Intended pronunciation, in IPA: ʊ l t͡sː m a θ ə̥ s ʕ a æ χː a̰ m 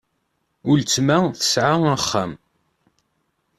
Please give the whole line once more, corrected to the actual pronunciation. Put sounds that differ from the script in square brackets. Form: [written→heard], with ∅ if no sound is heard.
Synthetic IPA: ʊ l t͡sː m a θ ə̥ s ʕ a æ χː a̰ m